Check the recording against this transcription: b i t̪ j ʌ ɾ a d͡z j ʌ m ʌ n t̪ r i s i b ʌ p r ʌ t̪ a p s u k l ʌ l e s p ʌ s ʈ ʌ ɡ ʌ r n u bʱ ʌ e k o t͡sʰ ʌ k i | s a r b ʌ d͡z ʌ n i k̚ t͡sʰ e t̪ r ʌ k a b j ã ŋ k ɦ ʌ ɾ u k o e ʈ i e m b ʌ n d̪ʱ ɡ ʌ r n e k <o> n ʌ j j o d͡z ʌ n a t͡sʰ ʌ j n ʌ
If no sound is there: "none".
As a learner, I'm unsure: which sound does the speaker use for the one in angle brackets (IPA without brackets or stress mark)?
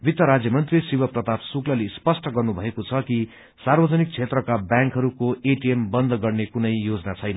u